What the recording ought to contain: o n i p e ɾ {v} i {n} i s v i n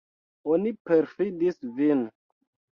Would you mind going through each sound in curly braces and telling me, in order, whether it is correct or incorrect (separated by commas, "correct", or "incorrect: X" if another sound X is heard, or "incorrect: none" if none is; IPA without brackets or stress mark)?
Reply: incorrect: f, incorrect: d